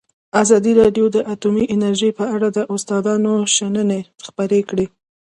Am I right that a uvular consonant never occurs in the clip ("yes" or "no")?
yes